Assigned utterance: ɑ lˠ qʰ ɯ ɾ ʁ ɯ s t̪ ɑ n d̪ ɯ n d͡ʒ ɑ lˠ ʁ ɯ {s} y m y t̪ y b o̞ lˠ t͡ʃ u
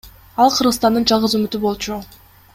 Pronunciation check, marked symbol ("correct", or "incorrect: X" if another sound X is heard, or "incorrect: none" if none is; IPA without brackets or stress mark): incorrect: z